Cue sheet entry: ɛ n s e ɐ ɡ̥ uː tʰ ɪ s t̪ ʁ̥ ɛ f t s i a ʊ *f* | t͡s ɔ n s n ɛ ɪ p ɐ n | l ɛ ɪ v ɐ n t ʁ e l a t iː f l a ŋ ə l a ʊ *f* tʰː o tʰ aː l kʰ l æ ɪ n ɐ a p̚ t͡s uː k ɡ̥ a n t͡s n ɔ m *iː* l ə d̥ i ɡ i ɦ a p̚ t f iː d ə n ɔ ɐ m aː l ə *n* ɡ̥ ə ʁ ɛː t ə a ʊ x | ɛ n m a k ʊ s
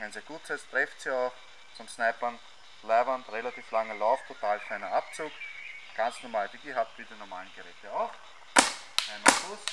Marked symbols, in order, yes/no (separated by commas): no, yes, no, yes